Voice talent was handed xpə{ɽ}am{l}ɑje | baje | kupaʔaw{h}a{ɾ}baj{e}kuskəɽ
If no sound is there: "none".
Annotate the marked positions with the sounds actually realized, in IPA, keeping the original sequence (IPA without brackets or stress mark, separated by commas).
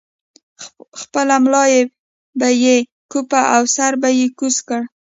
l, l, s, ɾ, e